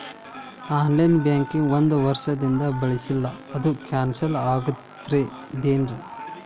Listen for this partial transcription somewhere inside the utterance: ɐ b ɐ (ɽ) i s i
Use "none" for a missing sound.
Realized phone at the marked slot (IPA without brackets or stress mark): ɭ